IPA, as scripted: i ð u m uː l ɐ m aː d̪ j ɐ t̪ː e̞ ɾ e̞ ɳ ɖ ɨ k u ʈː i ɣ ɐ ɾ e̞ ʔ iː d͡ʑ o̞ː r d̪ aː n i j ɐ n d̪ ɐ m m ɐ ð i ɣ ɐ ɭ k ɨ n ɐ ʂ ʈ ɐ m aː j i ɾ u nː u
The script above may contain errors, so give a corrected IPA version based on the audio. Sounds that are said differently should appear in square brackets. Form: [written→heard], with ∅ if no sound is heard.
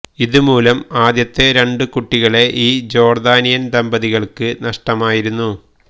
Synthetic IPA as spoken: i ð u m uː l ɐ m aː d̪ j ɐ t̪ː e̞ ɾ e̞ ɳ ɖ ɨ k u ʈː i ɣ ɐ [ɾ→ɭ] e̞ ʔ iː d͡ʑ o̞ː r d̪ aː n i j ɐ n d̪ ɐ m [m→b] ɐ ð i ɣ ɐ ɭ k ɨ n ɐ ʂ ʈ ɐ m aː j i ɾ u nː u